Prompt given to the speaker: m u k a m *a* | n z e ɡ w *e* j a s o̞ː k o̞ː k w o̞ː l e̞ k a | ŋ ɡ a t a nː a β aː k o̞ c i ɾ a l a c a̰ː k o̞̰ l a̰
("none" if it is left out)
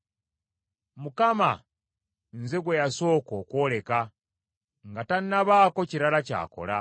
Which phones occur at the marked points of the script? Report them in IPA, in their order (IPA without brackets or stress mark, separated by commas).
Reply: a, e